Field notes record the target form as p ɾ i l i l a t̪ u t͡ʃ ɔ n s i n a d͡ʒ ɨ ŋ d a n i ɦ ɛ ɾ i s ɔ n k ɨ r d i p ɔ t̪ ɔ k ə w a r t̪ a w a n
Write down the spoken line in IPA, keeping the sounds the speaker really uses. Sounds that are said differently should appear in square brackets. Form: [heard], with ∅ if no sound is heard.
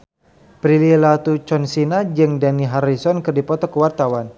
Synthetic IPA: p ɾ i l i l a t̪ u t͡ʃ ɔ n s i n a d͡ʒ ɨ ŋ d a n i ɦ [a] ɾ i s ɔ n k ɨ r d i p ɔ t̪ ɔ k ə w a r t̪ a w a n